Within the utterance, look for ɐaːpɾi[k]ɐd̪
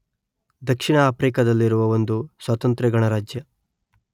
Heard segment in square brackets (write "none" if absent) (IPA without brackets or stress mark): k